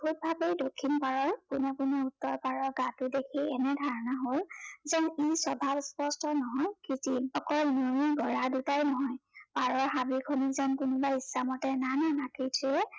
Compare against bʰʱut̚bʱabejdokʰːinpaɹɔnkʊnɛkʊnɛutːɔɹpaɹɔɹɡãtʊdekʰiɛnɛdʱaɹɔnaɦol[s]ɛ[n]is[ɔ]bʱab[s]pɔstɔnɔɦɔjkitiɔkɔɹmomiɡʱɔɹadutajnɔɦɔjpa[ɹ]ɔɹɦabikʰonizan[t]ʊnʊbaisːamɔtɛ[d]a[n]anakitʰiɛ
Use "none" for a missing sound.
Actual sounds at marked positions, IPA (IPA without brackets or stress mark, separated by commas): z, n, ɔ, s, ɹ, k, n, n